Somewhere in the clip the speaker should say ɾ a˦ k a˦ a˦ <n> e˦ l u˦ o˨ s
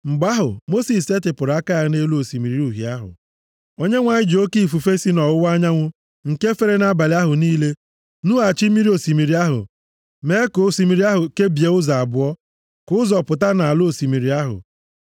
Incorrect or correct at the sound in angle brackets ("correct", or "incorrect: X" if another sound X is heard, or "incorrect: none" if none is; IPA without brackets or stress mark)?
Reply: correct